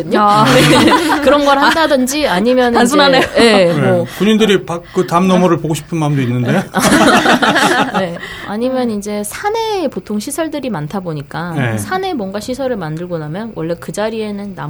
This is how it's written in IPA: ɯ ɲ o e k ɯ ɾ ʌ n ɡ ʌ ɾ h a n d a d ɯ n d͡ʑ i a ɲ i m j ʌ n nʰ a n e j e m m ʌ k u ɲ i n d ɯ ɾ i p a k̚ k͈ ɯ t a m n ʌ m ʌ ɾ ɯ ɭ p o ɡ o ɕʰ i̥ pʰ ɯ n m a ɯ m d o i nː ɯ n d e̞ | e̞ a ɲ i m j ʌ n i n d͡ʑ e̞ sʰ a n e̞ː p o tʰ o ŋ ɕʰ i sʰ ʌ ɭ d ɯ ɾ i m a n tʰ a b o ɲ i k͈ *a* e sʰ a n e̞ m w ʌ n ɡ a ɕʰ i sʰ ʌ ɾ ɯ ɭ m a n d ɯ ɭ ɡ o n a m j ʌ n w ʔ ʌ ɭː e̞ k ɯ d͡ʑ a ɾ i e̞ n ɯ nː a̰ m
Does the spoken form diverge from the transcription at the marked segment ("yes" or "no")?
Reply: no